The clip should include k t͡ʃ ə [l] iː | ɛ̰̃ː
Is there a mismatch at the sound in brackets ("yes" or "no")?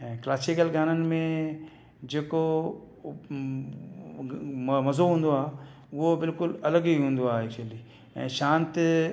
no